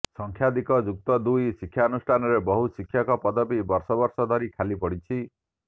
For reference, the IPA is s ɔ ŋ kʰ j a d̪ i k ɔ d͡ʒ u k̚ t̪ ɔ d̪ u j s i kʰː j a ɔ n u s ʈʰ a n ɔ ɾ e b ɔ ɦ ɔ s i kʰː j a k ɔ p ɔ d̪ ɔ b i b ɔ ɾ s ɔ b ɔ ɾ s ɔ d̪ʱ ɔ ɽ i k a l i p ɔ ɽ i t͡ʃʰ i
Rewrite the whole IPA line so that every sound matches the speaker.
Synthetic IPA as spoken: s ɔ ŋ kʰ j a d̪ i k ɔ d͡ʒ u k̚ t̪ ɔ d̪ u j s i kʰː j a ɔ n u s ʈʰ a n ɔ ɾ e b ɔ ɦ u s i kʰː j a k ɔ p ɔ d̪ ɔ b i b ɔ ɾ s ɔ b ɔ ɾ s ɔ d̪ʱ ɔ ɾ i kʰ a l i p ɔ ɽ i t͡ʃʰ i